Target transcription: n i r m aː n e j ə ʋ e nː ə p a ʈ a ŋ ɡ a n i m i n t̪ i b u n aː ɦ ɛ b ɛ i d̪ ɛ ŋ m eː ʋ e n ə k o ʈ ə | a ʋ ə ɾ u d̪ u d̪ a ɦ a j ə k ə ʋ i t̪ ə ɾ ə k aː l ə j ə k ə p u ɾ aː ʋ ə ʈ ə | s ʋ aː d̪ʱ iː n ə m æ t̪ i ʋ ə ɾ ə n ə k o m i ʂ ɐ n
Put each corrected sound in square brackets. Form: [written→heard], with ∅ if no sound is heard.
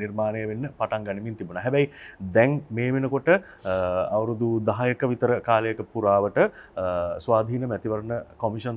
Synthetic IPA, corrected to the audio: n i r m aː n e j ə ʋ e nː ə p a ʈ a ŋ ɡ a n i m i n t̪ i b u n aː ɦ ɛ b ɛ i d̪ ɛ ŋ m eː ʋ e n ə k o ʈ ə | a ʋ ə ɾ u d̪ u d̪ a ɦ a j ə k ə ʋ i t̪ ə ɾ ə k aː l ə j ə k ə p u ɾ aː ʋ ə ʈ ə | s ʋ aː d̪ʱ iː n ə m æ t̪ i ʋ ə ɾ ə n ə k o m i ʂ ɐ n